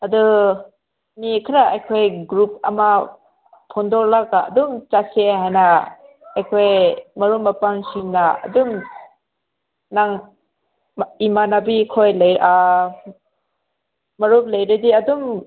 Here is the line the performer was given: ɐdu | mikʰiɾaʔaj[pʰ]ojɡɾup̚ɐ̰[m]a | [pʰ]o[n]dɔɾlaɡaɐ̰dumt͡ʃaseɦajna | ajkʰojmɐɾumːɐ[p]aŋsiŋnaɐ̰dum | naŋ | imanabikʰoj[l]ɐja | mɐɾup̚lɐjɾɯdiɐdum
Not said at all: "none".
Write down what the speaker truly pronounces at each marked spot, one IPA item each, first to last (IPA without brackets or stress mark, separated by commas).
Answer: kʰ, m, pʰ, n, p, l